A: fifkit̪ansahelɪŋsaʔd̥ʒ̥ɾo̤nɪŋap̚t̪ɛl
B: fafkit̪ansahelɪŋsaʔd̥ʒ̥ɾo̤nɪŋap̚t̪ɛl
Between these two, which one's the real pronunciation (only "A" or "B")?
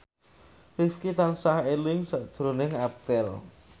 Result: A